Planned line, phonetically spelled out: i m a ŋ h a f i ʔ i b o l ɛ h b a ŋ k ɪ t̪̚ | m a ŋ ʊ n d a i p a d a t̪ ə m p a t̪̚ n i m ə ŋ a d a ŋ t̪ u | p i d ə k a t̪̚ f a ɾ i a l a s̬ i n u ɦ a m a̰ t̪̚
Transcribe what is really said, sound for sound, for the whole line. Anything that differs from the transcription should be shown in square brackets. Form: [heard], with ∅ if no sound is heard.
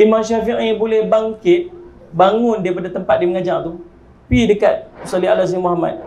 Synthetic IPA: i m a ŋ [ʃ] a f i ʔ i b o l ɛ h b a ŋ k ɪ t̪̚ | [b] a ŋ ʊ n d a i p a d a t̪ ə m p a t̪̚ [d] i m ə ŋ a [d͡ʒ] a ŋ t̪ u | p i d ə k a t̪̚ [s] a [l] i a l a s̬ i [m] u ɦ a m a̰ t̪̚